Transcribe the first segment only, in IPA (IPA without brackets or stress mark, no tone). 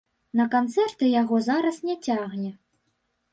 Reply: n